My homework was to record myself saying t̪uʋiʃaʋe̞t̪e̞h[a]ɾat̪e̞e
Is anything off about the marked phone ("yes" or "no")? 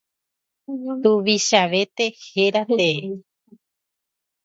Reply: yes